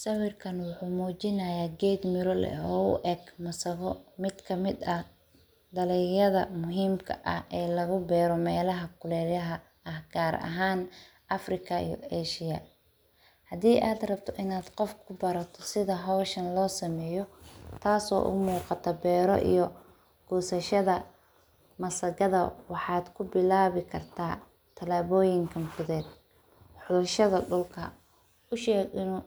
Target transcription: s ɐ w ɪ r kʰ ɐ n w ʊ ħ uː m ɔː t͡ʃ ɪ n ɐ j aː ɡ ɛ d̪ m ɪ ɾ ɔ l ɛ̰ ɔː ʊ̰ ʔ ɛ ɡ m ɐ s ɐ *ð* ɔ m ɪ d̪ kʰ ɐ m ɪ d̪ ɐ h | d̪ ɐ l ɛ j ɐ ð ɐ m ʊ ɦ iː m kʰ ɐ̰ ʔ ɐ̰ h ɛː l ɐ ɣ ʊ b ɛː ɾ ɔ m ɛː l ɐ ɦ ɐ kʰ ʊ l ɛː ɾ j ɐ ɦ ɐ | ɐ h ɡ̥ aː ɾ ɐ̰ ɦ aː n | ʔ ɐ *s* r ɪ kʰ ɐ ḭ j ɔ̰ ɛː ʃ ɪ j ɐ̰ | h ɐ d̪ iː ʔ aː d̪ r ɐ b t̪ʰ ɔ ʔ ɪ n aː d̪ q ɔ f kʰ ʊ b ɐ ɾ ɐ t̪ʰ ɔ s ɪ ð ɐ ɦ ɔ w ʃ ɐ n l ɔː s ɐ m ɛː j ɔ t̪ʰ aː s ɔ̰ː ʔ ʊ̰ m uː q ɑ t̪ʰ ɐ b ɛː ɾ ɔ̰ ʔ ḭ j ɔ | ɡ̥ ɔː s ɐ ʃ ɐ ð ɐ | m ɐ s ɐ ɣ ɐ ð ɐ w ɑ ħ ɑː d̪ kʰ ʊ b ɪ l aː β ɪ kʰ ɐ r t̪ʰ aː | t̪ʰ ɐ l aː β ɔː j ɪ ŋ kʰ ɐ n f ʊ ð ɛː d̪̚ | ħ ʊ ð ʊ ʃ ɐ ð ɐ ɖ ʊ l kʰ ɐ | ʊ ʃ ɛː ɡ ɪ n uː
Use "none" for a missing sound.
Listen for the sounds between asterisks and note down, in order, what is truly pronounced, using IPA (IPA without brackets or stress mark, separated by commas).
ɣ, f